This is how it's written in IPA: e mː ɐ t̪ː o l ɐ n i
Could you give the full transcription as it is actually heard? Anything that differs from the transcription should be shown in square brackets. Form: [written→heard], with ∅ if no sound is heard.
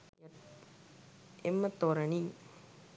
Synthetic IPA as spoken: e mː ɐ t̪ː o [l→ɾ] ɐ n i